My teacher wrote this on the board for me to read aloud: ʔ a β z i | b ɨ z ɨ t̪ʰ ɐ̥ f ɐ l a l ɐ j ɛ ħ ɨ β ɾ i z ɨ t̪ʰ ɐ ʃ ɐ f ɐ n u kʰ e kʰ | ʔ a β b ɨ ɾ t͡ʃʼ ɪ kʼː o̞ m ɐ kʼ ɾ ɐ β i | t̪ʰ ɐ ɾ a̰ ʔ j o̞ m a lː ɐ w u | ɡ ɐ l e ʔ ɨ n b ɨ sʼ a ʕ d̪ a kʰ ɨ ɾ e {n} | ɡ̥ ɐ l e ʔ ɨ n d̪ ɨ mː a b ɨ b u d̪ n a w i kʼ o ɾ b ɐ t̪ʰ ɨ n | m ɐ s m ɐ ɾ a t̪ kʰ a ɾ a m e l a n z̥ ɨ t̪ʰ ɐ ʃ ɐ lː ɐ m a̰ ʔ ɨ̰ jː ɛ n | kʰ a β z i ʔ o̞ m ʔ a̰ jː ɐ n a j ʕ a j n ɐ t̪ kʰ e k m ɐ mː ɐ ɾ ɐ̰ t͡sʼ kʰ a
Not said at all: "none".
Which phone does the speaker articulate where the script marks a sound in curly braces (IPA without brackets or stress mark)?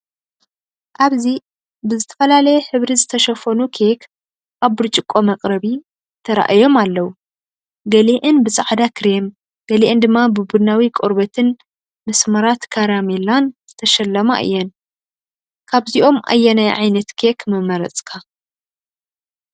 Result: m